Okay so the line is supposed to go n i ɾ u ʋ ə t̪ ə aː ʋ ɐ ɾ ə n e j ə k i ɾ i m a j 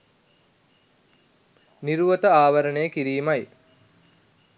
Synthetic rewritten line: n i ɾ u ʋ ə t̪ ə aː ʋ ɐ ɾ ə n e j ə k i ɾ iː m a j